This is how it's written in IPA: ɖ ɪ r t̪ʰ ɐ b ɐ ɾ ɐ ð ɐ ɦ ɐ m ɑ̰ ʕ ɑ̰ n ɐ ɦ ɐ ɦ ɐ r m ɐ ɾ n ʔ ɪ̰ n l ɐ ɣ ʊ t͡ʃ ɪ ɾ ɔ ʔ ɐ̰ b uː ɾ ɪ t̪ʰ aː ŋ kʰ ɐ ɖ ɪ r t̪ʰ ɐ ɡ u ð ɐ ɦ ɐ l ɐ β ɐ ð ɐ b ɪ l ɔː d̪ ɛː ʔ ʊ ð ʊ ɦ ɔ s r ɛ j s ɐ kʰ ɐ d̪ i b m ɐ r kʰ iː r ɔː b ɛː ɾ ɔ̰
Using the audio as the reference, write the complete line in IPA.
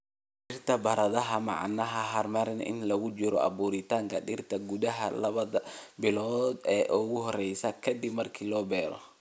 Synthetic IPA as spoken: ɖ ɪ r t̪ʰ ɐ b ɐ ɾ ɐ ð ɐ ɦ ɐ m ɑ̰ ʕ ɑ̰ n ɐ ɦ ɐ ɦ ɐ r m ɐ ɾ n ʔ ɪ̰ n l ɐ ɣ ʊ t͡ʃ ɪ ɾ ɔ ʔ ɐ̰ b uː ɾ ɪ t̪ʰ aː ŋ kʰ ɐ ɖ ɪ r t̪ʰ ɐ ɡ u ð ɐ ɦ ɐ l ɐ β ɐ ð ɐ b ɪ l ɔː d̪ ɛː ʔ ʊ ɣ ʊ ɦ ɔ r ɛ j s ɐ kʰ ɐ d̪ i b m ɐ r kʰ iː l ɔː b ɛː ɾ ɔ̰